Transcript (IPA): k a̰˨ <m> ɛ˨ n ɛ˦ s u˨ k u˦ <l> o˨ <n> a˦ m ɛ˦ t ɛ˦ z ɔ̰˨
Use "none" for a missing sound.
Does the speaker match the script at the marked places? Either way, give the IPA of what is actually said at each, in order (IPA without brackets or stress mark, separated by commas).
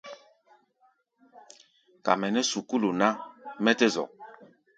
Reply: m, l, n